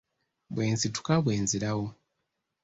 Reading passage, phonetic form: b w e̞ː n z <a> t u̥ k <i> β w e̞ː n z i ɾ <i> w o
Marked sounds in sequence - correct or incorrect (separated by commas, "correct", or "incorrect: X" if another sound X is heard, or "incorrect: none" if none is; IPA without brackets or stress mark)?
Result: incorrect: i, incorrect: a, incorrect: a